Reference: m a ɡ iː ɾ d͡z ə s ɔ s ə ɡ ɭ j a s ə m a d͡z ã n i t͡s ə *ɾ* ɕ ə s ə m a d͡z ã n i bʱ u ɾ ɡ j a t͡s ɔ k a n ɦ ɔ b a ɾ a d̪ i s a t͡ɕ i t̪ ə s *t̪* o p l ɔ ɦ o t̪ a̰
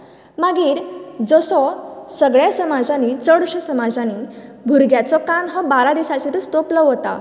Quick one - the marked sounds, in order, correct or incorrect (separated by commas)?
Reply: incorrect, correct